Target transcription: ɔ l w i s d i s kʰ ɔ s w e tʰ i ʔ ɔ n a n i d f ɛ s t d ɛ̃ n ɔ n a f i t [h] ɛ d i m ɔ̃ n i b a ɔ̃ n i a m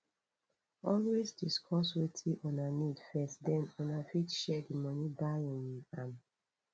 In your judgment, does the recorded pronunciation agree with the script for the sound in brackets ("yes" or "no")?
no